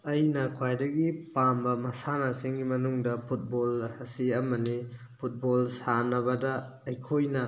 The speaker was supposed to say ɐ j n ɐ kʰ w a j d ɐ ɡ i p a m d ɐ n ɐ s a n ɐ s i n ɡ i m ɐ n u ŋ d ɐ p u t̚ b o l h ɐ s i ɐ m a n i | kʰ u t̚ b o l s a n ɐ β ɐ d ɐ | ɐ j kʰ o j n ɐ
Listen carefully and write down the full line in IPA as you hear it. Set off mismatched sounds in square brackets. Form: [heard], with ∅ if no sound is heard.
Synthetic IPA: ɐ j n ɐ kʰ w a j d ɐ ɡ i p a m [b] ɐ [m] ɐ s a n ɐ s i [ŋ] ɡ i m ɐ n u ŋ d ɐ [pʰ] u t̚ b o l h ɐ s i ɐ m [ɐ] n i | [pʰ] u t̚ b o l s a n ɐ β ɐ d ɐ | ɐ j kʰ o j n ɐ